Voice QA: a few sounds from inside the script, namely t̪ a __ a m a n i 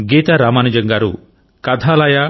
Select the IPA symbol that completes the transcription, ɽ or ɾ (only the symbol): ɾ